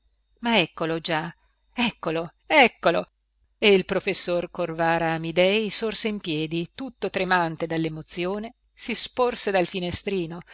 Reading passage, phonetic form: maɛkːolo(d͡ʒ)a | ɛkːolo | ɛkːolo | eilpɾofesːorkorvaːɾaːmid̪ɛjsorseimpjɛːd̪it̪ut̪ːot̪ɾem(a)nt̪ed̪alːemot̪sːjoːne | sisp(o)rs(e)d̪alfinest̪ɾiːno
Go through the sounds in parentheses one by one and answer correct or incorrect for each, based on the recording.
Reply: correct, correct, correct, correct

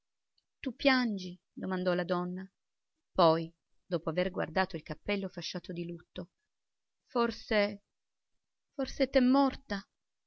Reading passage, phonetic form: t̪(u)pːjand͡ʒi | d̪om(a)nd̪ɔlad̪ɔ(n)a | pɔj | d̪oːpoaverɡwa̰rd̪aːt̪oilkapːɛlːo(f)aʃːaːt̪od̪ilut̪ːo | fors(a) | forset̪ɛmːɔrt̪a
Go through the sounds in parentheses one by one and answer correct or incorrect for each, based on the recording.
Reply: correct, correct, incorrect: nː, correct, incorrect: e

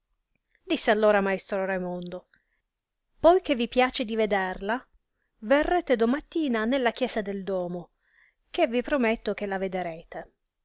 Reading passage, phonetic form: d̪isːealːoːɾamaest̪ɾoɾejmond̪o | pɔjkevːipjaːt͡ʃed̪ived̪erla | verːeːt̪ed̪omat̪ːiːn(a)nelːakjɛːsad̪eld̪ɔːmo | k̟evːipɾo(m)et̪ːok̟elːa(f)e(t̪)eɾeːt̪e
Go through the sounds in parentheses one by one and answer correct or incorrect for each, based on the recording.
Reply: correct, correct, incorrect: v, incorrect: d̪

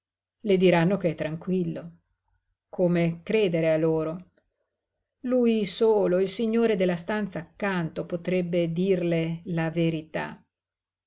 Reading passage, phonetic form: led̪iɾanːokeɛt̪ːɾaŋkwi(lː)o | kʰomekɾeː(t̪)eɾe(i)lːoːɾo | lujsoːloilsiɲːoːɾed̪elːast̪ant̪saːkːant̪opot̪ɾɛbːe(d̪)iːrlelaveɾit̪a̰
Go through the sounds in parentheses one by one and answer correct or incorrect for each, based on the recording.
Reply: correct, incorrect: d̪, incorrect: a, correct

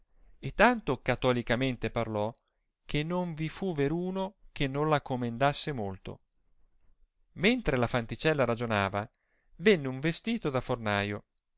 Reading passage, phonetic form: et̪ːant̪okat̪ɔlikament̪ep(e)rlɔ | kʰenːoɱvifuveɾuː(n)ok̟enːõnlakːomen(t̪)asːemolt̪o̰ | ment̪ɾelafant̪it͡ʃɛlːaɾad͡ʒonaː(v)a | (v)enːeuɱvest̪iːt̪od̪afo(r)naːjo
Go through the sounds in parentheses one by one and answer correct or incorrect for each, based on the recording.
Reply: incorrect: a, correct, incorrect: d̪, correct, correct, correct

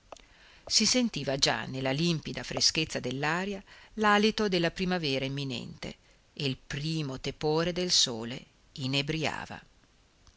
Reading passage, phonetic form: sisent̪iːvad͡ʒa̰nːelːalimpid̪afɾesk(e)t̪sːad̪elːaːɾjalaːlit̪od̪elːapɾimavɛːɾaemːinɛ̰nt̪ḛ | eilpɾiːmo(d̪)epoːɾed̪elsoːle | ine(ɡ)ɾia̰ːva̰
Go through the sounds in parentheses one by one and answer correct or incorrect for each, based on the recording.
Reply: correct, incorrect: t̪, incorrect: b

